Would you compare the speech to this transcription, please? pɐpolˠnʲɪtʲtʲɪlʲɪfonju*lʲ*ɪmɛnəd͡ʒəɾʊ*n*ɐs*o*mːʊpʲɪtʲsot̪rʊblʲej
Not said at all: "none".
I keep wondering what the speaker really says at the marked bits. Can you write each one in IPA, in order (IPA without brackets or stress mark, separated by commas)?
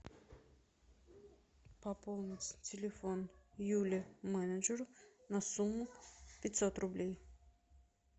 lʲ, n, u